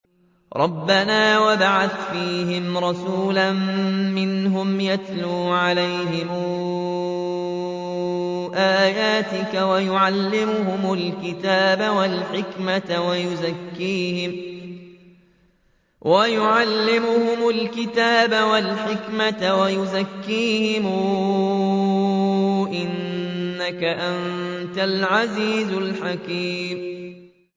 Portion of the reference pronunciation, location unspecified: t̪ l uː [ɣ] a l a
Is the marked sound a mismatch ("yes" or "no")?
yes